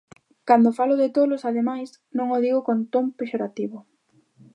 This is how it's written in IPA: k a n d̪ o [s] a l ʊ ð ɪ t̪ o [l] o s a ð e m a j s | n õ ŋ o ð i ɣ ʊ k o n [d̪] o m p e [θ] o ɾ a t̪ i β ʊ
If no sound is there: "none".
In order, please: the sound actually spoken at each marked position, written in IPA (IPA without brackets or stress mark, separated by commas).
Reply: f, l, t̪, ʃ